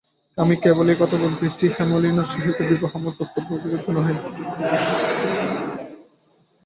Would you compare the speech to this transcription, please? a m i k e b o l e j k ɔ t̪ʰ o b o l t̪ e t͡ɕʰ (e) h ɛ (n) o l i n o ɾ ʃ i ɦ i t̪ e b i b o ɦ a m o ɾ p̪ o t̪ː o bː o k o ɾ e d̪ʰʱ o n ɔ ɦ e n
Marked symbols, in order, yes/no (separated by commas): no, no